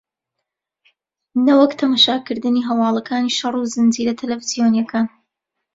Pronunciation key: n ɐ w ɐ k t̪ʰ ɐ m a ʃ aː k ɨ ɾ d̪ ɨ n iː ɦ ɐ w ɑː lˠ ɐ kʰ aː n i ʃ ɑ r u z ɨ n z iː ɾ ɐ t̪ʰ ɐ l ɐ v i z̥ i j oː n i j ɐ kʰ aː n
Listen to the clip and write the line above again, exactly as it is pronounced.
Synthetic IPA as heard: n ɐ w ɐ k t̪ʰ ɐ m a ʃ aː k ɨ ɾ d̪ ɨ n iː ɦ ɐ w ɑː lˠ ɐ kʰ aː n i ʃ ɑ r u z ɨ n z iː ɾ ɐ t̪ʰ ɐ l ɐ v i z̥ i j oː n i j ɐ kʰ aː n